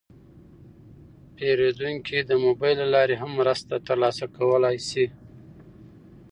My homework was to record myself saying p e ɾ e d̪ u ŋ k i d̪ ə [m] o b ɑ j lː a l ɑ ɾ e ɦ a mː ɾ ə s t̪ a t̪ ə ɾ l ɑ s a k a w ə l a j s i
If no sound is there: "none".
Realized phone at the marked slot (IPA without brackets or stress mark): m